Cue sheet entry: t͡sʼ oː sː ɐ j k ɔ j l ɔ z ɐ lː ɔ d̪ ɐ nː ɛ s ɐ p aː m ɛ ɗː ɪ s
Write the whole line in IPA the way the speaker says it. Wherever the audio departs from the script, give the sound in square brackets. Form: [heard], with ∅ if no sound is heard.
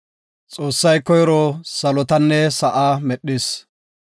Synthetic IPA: t͡sʼ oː sː ɐ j k ɔ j [ɾ] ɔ [s] ɐ [l] ɔ [t̪] ɐ nː ɛ s ɐ [ʔ] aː m ɛ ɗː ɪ s